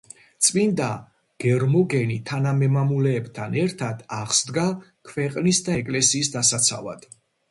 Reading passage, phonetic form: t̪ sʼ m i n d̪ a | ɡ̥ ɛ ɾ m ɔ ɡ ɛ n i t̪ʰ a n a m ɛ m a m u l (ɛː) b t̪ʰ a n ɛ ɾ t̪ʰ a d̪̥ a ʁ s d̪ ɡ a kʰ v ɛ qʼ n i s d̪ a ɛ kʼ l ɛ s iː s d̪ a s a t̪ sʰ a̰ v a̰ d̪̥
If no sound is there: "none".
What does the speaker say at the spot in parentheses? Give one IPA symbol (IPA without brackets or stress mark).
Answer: ɛː